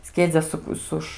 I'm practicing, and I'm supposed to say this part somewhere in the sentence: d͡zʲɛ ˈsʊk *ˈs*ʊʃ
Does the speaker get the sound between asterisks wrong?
no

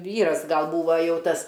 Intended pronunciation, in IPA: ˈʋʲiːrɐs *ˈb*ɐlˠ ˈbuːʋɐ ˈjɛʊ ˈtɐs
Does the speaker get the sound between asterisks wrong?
yes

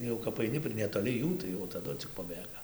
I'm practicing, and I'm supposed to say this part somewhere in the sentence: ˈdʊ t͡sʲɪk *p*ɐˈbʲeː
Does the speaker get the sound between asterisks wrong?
no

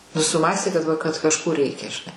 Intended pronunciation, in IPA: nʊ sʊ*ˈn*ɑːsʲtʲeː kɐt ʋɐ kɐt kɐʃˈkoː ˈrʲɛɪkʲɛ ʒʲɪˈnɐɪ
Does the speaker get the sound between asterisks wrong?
yes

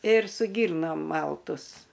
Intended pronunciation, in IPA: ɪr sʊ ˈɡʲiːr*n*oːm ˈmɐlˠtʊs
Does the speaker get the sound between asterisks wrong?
no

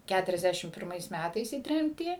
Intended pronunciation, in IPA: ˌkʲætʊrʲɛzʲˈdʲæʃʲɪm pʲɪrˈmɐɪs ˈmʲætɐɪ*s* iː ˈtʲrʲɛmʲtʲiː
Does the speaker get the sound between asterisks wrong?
no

